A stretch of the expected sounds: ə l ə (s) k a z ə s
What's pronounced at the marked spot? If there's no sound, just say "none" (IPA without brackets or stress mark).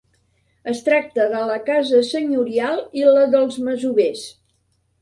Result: none